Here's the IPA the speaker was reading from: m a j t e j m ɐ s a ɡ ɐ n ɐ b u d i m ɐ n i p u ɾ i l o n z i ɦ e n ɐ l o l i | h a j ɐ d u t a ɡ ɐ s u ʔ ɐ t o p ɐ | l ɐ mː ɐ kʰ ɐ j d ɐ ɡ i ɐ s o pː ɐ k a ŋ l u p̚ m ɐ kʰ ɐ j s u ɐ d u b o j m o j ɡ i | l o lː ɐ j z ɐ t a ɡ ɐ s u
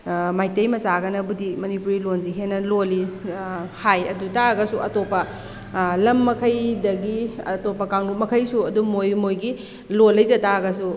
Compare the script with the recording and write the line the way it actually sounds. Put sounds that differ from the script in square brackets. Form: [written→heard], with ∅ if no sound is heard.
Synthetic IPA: m a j t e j m ɐ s a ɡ ɐ n ɐ b u d i m ɐ n i p u ɾ i l o n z i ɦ e n ɐ l o l i | h a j ɐ d u t a ɡ ɐ s u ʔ ɐ t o p ɐ | l ɐ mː ɐ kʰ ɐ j d ɐ ɡ i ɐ [s→t] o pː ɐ k a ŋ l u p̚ m ɐ kʰ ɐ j s u ɐ d u [b→m] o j m o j ɡ i | l o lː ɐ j z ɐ t a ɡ ɐ s u